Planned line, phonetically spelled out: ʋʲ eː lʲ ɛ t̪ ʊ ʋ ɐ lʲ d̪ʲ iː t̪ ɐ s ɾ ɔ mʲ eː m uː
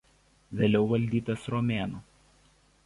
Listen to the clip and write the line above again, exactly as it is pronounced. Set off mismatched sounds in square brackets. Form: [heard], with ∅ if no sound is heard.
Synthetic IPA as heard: ʋʲ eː lʲ ɛ [∅] ʊ ʋ ɐ lʲ d̪ʲ iː t̪ ɐ s ɾ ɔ mʲ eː [n] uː